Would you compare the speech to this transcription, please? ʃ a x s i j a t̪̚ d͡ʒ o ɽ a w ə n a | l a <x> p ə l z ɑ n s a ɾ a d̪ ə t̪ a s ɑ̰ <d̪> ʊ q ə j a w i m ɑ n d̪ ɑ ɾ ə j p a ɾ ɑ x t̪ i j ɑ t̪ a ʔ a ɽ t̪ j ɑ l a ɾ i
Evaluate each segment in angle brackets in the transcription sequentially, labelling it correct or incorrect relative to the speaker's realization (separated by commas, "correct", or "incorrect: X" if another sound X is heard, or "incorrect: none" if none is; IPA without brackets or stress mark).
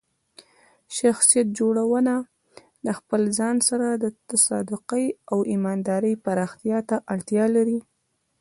correct, correct